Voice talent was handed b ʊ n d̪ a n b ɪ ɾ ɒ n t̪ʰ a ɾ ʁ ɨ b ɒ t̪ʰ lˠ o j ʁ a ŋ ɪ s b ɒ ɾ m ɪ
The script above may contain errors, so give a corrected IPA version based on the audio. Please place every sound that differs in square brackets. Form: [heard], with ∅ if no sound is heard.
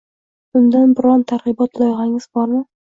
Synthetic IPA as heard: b ʊ n d̪ a n b ɪ ɾ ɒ n t̪ʰ a ɾ ʁ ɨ b ɒ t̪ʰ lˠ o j ʁ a ŋ ɪ [z] b ɒ ɾ m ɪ